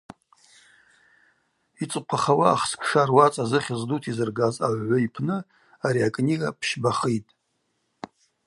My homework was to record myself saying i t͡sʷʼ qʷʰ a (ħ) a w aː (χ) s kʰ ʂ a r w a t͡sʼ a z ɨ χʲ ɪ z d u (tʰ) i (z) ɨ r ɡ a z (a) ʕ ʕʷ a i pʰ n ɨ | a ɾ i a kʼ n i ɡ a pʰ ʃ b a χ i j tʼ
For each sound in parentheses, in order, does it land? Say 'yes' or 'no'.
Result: no, yes, yes, yes, yes

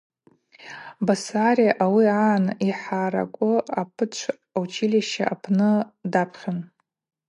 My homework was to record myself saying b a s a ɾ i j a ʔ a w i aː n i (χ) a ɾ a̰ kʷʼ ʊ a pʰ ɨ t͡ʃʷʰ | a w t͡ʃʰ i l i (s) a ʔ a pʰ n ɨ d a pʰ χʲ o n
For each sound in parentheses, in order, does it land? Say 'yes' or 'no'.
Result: no, no

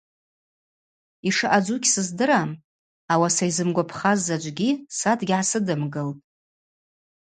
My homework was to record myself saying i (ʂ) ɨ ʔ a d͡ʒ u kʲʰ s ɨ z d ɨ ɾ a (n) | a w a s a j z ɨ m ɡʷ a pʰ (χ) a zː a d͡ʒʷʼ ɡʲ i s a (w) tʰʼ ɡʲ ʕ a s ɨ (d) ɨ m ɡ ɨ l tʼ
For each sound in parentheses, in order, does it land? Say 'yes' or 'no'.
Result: yes, no, yes, no, yes

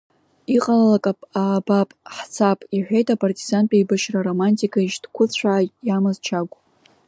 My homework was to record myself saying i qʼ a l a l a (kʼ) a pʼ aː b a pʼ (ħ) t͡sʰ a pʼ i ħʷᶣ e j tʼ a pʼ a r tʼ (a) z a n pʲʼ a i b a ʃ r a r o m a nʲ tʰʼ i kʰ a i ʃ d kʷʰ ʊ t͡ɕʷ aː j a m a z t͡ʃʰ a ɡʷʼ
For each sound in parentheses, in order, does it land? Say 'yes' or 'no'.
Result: yes, yes, no

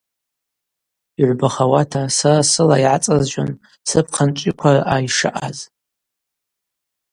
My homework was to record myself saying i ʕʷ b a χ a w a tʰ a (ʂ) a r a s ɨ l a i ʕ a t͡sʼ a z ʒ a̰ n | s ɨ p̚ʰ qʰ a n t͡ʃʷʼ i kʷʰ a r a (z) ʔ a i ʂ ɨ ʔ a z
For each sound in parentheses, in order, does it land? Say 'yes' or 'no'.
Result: no, no

